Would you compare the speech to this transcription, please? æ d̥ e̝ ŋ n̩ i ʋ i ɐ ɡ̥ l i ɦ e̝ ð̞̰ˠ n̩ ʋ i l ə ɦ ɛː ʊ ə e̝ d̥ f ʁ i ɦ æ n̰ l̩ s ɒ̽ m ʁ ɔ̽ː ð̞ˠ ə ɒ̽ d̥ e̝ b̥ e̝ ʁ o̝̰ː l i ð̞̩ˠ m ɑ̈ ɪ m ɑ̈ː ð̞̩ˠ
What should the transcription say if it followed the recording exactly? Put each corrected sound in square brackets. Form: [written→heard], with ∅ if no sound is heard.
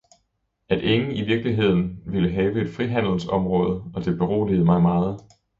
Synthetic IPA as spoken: æ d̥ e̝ ŋ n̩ i ʋ i ɐ ɡ̥ l i ɦ e̝ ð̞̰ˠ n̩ ʋ i l ə ɦ ɛː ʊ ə e̝ d̥ f ʁ i ɦ æ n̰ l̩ s ɒ̽ m ʁ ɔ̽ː ð̞ˠ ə ɒ̽ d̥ e̝ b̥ e̝ ʁ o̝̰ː l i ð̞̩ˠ m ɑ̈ ɪ m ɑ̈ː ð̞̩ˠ